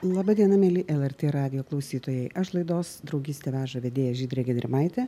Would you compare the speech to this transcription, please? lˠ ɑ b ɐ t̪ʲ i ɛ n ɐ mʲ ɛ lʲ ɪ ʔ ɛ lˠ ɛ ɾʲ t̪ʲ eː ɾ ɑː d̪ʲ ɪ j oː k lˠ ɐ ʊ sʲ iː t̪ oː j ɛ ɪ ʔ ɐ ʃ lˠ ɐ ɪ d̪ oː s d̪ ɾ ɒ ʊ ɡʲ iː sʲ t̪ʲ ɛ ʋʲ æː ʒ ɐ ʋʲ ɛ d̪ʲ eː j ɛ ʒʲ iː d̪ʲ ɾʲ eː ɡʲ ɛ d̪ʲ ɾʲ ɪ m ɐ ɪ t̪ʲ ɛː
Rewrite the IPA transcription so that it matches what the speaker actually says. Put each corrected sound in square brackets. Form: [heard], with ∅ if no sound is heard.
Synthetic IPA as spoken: lˠ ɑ b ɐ [d̪ʲ] i ɛ n ɐ mʲ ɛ lʲ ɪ ʔ ɛ lˠ ɛ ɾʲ t̪ʲ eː ɾ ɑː d̪ʲ ɪ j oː k lˠ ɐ ʊ sʲ iː t̪ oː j ɛ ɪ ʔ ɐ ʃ lˠ ɐ ɪ d̪ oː s d̪ ɾ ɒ ʊ ɡʲ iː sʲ t̪ʲ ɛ ʋʲ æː ʒ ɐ ʋʲ ɛ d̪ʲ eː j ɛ ʒʲ iː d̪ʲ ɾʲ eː ɡʲ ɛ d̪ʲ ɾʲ ɪ m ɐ ɪ t̪ʲ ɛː